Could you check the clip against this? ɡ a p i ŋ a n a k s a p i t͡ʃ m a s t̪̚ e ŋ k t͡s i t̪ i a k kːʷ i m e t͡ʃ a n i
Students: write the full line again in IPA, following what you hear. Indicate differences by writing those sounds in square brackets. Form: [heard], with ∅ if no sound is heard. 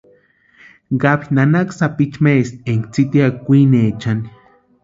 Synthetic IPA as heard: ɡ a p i [n] a n a k s a p i t͡ʃ m [e] s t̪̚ e ŋ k t͡s i t̪ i a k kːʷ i [n] e t͡ʃ a n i